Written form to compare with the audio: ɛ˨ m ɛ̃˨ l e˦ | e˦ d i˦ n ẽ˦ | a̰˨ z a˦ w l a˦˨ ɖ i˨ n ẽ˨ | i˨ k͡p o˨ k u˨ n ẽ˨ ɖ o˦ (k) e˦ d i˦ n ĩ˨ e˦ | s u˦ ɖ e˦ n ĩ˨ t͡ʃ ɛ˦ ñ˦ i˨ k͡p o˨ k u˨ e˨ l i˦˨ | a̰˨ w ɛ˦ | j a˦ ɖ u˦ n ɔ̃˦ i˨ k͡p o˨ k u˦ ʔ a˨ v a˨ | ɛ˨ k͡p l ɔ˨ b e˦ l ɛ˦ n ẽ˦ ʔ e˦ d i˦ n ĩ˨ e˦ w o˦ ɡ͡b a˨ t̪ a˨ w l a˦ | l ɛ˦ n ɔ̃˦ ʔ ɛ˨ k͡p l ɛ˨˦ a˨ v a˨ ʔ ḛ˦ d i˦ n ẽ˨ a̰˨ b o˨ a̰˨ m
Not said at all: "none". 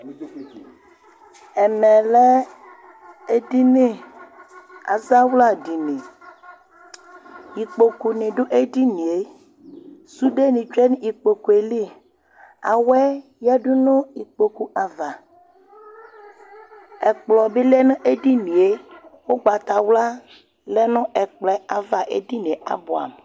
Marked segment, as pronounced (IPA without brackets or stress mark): ʔ